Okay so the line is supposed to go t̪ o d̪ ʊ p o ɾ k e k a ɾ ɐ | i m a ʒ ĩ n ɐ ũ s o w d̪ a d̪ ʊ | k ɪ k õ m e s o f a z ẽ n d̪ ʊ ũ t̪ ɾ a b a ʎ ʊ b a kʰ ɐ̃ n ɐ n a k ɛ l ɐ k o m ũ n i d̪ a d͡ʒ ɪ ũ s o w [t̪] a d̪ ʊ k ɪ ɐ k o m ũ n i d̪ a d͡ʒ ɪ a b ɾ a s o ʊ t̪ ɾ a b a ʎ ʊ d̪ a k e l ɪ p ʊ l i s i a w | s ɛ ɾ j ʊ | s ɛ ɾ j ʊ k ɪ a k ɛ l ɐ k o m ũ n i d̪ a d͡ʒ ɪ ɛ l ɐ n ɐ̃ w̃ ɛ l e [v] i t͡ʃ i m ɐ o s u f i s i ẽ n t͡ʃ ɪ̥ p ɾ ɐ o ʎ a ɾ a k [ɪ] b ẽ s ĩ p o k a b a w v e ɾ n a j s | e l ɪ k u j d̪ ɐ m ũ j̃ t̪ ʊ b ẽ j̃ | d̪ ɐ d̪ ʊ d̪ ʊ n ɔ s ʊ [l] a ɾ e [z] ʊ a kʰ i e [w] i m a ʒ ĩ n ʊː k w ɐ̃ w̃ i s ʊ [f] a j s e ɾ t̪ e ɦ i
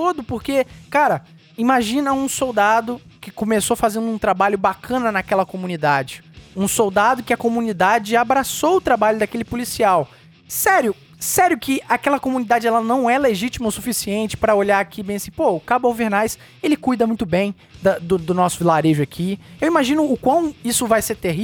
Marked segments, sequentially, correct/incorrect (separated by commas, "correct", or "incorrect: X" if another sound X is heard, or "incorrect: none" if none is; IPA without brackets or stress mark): incorrect: d̪, incorrect: ʒ, incorrect: i, correct, incorrect: ʒ, correct, incorrect: v